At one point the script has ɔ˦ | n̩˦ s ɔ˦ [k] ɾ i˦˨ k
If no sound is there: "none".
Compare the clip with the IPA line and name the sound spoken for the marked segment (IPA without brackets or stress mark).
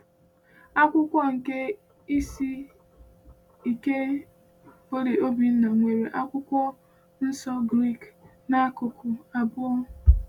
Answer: ɡ